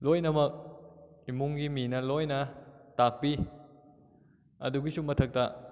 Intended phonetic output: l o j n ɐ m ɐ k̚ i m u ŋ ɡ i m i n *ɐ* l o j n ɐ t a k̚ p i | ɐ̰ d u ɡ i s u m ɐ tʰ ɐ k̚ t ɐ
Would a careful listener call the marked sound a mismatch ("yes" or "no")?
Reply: no